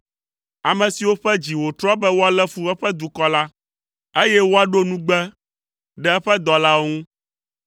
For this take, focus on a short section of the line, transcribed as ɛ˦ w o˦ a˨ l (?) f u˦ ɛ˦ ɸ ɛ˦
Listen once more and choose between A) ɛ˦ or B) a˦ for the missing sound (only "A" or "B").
A